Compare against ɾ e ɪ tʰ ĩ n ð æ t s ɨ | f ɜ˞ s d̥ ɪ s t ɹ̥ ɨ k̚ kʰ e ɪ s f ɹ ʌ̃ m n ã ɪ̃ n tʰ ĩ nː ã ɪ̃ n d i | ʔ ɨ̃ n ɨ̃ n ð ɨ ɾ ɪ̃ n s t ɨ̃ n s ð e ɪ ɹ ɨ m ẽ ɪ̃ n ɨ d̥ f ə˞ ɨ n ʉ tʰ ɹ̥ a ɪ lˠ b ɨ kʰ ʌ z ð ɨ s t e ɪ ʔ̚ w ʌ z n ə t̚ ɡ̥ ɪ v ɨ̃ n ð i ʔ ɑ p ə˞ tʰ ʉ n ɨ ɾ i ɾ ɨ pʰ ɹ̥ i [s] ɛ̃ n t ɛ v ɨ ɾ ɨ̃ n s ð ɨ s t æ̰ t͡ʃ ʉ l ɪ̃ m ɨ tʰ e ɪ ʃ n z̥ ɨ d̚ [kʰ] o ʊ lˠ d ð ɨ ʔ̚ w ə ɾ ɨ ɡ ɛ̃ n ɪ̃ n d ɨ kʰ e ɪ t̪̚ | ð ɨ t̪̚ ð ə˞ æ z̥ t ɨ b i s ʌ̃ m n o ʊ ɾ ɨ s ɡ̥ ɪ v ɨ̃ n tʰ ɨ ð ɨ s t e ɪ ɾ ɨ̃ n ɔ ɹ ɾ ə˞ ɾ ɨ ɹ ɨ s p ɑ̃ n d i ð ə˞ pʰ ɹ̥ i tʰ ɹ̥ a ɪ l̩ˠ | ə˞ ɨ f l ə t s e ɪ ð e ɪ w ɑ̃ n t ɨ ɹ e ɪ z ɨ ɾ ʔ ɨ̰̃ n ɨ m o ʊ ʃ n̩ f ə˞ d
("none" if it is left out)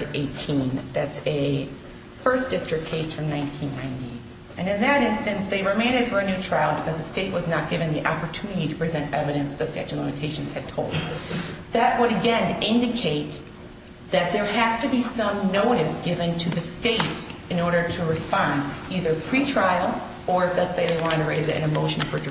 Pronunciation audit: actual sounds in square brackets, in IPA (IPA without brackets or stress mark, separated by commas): z, tʰ